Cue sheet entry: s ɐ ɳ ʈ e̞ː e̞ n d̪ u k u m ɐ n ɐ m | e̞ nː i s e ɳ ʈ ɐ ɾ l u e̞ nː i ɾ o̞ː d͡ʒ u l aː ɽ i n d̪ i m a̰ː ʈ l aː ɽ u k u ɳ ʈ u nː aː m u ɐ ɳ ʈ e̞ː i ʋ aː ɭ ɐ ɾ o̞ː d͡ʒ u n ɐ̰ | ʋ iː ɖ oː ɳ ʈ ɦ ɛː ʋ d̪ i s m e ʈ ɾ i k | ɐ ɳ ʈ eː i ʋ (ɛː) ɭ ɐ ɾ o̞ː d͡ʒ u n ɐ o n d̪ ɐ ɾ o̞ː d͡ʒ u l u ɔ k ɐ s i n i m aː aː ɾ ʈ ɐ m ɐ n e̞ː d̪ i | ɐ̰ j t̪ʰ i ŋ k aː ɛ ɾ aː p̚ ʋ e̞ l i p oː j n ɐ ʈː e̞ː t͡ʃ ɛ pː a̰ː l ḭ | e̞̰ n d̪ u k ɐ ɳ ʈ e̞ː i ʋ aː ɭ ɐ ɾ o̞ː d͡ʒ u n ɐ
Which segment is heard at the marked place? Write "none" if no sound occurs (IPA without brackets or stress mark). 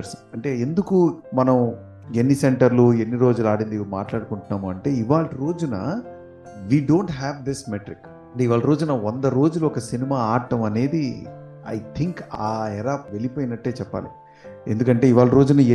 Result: aː